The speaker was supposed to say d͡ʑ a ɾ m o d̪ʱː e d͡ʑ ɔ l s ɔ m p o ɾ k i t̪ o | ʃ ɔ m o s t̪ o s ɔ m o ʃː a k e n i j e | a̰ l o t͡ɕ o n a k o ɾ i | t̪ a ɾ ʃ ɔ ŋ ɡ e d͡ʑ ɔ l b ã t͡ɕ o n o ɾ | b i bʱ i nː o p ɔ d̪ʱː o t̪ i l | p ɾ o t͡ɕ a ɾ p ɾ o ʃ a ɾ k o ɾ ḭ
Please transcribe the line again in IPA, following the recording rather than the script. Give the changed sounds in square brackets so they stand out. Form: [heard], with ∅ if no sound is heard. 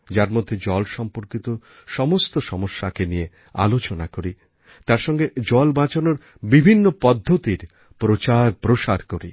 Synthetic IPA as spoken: d͡ʑ a ɾ m o d̪ʱː e d͡ʑ ɔ l [ʃ] ɔ m p o ɾ k i t̪ o | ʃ ɔ m o s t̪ o [ʃ] ɔ m o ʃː a k e n i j e | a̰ l o t͡ɕ o n a k o ɾ i | t̪ a ɾ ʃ ɔ ŋ ɡ e d͡ʑ ɔ l b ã t͡ɕ o n o ɾ | b i bʱ i nː o p ɔ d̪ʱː o t̪ i [ɾ] | p ɾ o t͡ɕ a ɾ p ɾ o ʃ a ɾ k o ɾ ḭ